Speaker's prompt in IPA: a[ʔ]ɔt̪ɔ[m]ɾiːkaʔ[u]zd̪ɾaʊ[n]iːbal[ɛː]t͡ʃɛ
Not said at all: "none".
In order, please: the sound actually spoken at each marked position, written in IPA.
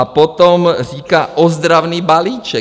p, m, ɔ, n, iː

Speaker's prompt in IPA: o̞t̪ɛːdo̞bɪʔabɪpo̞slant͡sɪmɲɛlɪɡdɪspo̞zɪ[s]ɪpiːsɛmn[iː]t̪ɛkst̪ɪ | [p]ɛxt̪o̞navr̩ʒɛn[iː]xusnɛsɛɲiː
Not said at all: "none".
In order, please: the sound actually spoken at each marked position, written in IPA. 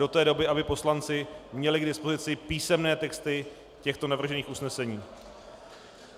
t͡s, ɛː, c, iː

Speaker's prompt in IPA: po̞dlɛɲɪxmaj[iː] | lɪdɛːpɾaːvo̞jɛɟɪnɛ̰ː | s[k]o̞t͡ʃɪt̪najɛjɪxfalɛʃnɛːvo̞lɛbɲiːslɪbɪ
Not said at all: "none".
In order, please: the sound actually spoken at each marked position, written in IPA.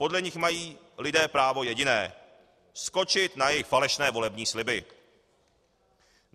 iː, k

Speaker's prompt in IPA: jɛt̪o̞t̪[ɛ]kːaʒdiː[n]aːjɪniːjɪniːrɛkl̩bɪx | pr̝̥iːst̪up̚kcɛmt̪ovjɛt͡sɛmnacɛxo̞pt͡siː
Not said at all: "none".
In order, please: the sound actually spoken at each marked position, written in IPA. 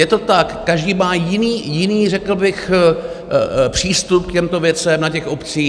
a, m

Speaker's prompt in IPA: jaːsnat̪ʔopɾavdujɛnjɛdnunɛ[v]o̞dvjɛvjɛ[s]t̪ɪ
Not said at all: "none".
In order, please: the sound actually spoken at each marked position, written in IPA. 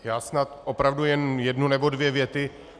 b, none

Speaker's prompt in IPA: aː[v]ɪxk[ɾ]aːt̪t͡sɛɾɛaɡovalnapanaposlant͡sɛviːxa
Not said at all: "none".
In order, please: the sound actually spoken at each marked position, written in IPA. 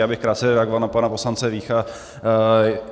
b, ɾ

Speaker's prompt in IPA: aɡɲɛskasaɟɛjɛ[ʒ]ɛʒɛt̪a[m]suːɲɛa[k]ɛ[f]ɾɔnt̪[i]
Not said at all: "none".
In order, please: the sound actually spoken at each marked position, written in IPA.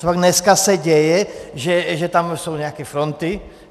ʒ, m, k, f, i

